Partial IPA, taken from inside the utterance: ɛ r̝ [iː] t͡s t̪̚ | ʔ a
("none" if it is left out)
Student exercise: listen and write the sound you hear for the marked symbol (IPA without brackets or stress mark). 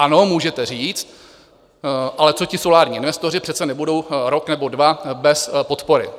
iː